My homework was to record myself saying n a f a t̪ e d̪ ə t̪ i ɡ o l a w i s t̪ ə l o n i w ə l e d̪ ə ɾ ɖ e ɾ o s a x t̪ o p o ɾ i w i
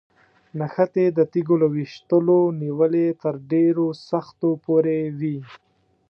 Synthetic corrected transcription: n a x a t̪ e d̪ ə t̪ i ɡ o l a w i ʃ t̪ ə l o n i w ə l e t̪ ə ɾ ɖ e ɾ o s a x t̪ o p o ɾ e w i